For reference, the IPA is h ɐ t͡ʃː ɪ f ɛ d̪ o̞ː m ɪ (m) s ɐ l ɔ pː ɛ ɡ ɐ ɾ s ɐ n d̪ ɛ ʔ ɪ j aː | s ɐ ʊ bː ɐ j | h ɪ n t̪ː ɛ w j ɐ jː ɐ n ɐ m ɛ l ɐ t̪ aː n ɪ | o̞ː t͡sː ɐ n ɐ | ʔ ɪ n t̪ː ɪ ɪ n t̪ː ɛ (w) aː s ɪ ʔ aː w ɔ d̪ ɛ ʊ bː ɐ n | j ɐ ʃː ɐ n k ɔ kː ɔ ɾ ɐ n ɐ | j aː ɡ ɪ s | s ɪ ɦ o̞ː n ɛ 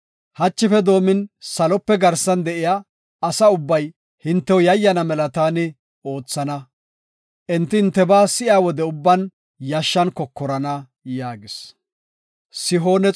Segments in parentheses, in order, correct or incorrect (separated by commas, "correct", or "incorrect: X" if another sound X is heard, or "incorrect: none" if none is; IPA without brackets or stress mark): incorrect: n, incorrect: b